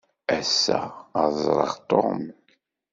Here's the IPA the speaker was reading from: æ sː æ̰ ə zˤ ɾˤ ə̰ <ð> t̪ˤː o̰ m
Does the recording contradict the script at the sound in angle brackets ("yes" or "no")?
yes